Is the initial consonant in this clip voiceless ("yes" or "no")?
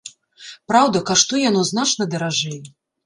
yes